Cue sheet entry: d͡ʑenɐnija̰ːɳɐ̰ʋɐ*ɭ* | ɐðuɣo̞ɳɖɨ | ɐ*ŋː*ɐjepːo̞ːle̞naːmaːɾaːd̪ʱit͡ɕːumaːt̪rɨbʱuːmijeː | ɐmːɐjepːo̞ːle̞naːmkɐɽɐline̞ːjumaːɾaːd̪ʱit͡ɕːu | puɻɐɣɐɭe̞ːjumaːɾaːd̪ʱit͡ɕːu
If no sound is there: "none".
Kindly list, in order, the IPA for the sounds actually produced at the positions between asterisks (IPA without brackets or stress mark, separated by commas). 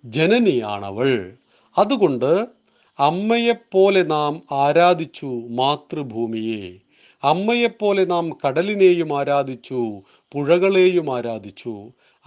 ɭ, mː